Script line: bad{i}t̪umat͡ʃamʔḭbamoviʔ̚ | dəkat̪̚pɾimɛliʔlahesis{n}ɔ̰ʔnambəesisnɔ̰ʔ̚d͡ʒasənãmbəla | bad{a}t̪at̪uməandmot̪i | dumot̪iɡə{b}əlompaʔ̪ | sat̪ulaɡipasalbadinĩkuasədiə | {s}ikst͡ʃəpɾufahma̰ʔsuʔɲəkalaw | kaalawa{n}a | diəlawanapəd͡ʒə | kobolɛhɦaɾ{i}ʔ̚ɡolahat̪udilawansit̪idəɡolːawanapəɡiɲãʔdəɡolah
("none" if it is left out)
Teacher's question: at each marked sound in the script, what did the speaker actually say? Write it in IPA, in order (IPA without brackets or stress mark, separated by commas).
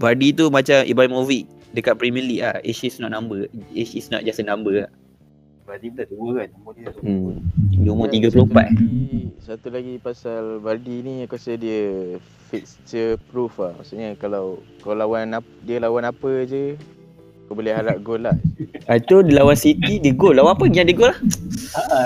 i, n, i, p, f, n, a